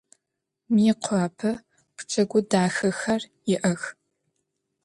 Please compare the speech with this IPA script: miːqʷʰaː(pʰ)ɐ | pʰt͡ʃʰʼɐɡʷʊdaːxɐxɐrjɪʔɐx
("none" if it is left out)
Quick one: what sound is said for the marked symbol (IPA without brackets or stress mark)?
pʰ